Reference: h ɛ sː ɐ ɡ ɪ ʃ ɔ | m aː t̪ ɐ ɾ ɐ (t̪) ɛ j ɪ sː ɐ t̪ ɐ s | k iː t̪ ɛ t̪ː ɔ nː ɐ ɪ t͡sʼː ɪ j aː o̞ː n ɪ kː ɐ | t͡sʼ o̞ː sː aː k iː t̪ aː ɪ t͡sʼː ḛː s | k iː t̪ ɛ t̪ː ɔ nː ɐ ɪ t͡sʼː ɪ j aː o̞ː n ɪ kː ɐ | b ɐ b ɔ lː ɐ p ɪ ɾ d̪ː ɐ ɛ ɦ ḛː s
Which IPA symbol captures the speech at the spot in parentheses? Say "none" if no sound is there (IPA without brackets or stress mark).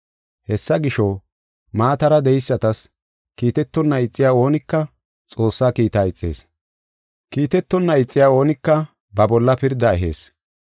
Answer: d̪